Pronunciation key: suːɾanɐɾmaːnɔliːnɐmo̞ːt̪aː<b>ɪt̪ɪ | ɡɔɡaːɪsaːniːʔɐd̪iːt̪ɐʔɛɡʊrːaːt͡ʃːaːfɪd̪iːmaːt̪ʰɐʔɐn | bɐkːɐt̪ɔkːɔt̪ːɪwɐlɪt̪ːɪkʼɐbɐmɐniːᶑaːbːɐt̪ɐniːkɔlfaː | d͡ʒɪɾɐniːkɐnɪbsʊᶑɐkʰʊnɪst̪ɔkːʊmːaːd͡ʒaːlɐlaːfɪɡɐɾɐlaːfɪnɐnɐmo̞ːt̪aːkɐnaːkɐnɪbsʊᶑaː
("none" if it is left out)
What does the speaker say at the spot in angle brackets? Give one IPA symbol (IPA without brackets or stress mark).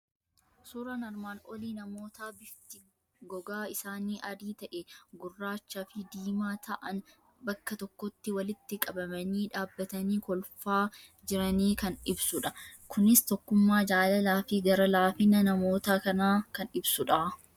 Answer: b